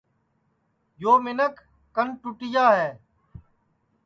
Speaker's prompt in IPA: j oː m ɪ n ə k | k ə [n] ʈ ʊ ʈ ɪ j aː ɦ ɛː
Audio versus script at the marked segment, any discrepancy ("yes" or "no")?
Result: no